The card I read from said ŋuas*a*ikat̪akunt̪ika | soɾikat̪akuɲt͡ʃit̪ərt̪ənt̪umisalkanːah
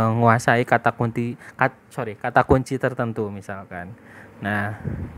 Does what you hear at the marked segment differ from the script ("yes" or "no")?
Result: no